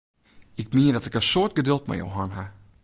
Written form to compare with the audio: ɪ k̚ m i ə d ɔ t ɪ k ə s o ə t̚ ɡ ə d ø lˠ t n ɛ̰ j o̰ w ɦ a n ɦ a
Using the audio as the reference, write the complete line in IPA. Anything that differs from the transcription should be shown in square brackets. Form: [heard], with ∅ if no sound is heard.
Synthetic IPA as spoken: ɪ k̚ m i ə d ɔ t ɪ k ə s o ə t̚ ɡ ə d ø lˠ t [m] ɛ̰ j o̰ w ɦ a n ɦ a